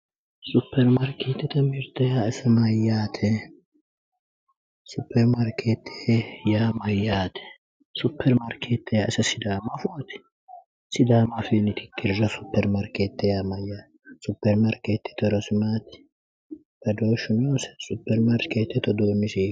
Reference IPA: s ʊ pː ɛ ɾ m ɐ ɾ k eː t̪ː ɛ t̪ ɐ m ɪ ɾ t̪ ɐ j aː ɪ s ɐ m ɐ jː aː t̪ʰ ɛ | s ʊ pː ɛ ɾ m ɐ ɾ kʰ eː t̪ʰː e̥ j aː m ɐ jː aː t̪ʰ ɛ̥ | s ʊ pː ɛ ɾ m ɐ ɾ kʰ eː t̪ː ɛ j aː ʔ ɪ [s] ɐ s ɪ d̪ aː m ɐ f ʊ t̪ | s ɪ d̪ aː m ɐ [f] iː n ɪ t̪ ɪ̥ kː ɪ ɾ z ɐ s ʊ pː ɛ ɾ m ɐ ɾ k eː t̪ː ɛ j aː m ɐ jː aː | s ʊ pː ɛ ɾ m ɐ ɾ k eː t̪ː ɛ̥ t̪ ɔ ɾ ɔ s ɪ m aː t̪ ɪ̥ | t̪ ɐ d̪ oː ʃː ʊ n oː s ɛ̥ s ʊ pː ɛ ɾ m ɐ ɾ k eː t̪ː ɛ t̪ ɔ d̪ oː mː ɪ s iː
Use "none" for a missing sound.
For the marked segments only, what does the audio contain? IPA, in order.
s, f

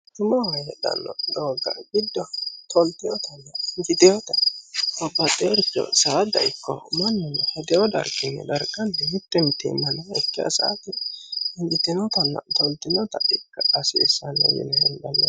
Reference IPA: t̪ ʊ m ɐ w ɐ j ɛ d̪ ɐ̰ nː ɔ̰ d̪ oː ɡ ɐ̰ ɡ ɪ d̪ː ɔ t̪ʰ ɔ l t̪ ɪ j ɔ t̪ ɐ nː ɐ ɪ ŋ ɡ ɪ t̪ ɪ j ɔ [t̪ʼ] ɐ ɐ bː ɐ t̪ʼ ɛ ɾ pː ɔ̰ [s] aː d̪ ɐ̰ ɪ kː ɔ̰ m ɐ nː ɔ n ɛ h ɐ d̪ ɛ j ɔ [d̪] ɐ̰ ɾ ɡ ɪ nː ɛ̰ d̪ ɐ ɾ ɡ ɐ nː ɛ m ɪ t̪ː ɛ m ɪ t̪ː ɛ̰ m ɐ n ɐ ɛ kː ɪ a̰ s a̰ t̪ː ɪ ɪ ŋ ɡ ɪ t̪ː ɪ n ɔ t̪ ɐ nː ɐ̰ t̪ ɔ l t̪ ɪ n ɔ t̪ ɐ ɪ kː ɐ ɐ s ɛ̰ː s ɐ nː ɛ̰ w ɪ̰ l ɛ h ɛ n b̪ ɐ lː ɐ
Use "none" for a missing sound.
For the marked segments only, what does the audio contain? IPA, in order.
t̪, s, d̪

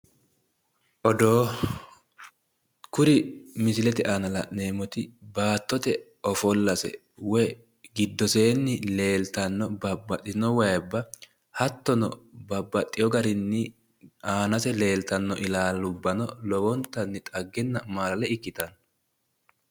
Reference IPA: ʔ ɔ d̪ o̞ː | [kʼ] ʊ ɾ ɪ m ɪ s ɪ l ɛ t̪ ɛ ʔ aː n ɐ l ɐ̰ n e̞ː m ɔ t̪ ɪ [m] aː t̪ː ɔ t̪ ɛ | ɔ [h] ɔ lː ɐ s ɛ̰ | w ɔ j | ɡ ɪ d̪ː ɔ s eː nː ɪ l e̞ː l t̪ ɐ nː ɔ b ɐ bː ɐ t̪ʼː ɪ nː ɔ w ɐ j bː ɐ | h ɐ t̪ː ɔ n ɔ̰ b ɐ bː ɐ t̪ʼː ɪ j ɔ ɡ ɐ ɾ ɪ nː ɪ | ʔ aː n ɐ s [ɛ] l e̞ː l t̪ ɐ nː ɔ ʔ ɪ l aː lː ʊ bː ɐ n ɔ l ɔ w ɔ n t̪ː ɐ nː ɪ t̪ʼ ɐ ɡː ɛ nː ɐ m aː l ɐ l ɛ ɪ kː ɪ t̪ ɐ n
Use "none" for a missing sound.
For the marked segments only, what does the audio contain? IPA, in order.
k, b, f, ɛ

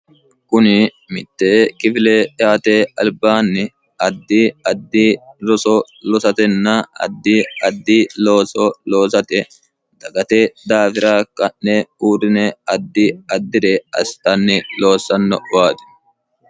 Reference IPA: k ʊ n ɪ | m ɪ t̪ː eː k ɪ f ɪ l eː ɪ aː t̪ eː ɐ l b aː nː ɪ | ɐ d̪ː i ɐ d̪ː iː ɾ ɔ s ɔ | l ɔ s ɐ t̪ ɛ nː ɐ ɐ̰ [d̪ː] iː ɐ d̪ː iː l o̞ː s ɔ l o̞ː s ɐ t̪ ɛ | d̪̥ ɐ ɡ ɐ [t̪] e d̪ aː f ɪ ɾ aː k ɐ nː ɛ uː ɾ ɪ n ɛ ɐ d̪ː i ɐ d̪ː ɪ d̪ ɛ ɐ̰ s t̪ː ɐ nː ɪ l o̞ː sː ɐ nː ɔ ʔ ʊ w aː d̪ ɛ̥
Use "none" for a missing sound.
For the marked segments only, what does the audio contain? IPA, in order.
d̪ː, t̪

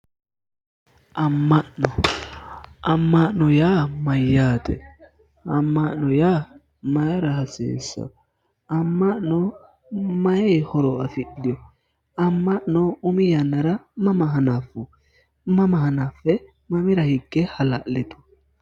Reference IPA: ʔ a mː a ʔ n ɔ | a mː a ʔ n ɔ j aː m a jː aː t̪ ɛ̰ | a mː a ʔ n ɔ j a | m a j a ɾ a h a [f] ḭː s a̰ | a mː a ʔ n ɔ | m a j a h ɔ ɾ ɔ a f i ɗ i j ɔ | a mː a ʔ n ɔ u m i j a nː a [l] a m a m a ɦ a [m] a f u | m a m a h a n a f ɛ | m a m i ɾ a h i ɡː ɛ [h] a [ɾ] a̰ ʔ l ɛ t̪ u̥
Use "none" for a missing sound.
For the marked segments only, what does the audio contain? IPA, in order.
s, ɾ, n, h, l

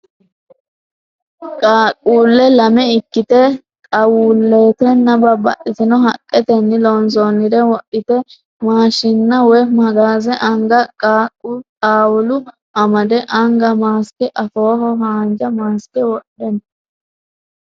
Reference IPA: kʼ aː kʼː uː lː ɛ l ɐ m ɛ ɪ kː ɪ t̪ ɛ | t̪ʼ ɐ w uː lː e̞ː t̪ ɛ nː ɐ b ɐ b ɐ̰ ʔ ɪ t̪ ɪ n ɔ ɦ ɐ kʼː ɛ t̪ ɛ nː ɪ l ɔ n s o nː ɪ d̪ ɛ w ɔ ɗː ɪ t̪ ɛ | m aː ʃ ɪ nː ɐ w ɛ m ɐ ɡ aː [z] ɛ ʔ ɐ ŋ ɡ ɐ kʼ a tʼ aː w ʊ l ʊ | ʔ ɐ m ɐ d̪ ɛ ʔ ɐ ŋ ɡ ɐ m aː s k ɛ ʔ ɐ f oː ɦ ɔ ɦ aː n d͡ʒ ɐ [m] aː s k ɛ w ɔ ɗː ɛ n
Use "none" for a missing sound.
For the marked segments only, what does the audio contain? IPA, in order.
z, m

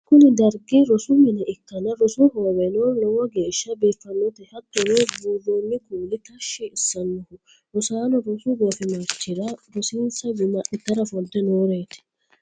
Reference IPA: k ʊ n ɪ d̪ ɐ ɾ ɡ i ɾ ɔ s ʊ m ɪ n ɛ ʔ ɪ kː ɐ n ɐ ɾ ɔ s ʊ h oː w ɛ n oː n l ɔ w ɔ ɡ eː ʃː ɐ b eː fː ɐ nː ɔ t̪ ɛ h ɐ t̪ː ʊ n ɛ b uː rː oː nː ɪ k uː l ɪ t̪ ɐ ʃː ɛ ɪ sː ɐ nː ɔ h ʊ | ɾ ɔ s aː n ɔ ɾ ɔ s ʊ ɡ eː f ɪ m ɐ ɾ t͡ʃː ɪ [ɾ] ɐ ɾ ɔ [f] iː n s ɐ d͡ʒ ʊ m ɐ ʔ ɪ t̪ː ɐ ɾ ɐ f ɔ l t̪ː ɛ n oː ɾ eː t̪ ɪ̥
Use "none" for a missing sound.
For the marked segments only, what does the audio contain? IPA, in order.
ɾ, s

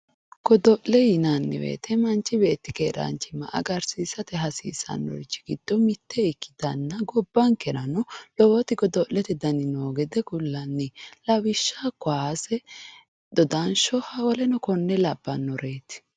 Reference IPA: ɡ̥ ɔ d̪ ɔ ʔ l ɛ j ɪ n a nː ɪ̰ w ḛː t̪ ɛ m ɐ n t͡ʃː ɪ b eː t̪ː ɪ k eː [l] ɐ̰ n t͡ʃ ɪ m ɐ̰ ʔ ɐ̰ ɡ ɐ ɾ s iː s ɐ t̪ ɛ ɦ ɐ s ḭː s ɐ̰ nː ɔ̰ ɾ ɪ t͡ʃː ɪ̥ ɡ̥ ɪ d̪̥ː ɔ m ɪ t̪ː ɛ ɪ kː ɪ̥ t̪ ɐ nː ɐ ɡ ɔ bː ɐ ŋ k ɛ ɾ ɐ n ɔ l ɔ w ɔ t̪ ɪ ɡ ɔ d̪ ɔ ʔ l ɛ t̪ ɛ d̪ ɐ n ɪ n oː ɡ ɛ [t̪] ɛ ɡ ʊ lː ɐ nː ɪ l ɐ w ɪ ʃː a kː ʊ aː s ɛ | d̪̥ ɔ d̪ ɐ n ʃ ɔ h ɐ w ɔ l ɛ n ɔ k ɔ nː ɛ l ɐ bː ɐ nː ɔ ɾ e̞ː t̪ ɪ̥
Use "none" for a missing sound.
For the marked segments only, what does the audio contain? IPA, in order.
ɾ, d̪

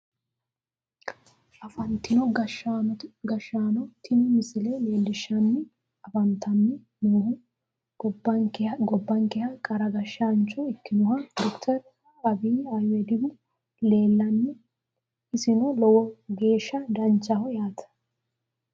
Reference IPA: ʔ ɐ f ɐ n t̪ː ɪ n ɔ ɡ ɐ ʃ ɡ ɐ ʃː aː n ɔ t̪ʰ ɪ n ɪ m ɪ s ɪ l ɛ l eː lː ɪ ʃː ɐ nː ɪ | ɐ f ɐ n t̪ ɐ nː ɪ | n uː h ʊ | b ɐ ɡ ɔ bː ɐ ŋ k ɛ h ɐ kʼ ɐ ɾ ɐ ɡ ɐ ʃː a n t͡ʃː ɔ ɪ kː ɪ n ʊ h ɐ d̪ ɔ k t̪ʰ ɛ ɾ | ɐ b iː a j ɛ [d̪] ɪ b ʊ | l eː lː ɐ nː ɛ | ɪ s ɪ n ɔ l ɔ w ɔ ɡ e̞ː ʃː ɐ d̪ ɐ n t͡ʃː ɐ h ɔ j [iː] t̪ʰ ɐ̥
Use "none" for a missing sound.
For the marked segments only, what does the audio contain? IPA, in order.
d̪, aː

